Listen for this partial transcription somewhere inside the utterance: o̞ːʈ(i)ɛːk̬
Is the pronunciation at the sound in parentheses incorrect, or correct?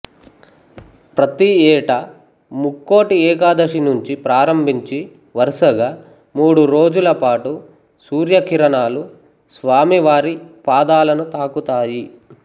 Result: correct